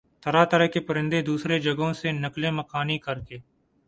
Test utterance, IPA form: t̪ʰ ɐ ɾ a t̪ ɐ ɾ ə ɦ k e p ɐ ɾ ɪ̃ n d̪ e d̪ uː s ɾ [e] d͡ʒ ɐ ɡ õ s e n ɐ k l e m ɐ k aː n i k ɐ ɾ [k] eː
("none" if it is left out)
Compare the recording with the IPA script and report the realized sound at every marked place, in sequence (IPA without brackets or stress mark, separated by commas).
e, k